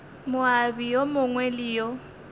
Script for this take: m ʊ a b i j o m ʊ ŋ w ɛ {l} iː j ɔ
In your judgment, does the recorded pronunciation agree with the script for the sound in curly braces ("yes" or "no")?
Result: yes